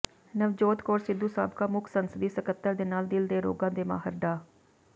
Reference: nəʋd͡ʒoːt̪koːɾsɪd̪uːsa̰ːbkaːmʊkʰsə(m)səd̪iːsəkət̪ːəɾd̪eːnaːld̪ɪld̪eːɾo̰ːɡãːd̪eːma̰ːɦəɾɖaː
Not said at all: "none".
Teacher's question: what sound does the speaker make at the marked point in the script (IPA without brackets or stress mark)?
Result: n